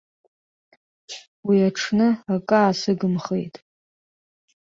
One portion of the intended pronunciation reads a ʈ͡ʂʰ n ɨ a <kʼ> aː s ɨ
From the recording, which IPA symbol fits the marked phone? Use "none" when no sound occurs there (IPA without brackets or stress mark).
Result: kʼ